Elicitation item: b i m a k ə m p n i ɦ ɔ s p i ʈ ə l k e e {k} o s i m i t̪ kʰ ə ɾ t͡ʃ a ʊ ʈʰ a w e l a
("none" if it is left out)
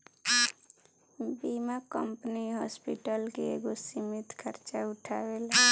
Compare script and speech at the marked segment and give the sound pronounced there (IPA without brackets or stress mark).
ɡ